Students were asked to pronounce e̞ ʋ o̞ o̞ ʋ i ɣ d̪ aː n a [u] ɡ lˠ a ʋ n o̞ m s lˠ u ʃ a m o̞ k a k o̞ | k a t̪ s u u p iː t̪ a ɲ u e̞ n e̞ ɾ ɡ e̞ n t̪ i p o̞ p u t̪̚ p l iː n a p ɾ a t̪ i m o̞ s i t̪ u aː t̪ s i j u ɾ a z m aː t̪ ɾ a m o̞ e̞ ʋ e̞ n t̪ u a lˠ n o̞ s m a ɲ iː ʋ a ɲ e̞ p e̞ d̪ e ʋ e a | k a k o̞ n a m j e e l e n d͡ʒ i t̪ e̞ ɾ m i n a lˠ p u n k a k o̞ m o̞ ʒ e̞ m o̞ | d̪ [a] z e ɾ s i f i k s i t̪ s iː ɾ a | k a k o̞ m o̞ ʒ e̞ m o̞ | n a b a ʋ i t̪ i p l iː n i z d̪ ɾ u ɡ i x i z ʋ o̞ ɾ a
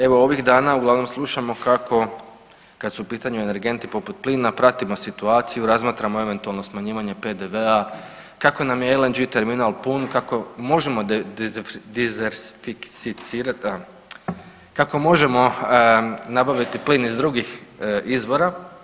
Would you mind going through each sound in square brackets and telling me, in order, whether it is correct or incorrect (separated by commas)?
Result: correct, incorrect